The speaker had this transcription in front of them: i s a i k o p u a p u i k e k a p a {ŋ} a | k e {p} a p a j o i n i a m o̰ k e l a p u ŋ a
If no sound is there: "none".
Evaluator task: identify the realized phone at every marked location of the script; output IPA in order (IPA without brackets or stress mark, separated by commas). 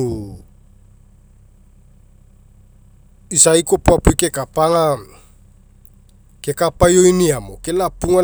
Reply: ŋ, k